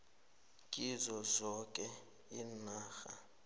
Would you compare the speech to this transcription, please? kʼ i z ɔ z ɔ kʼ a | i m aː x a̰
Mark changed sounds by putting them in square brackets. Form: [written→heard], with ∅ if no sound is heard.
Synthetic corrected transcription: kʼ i z ɔ z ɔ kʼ [a→ɛ] | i [m→n] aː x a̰